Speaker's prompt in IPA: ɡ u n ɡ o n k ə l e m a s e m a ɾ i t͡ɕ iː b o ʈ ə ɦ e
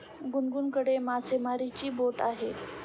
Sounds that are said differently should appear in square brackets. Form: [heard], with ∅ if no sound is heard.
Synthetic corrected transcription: ɡ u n ɡ [u] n k ə [ɽ] e m a s e m a ɾ i t͡ɕ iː b o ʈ [a] ɦ e